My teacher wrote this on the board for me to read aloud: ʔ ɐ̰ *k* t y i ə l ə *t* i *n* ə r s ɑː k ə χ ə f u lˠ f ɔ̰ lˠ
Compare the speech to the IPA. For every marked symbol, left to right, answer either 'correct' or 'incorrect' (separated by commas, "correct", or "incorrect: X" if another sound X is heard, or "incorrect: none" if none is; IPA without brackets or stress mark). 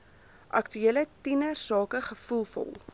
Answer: correct, correct, correct